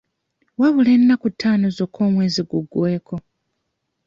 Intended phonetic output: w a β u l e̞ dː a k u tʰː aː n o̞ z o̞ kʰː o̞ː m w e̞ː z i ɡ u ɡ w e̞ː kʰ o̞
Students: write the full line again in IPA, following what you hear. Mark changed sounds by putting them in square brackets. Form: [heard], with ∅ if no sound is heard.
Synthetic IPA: w a β u l e̞ [nː] a k u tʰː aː n o̞ z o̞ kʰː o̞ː m w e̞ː z i ɡ u ɡ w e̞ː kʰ o̞